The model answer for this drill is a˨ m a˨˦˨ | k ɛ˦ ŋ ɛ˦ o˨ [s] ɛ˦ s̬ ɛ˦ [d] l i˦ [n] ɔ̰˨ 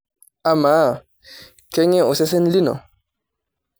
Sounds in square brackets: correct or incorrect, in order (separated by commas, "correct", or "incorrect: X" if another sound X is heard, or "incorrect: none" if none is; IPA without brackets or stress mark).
correct, incorrect: n, correct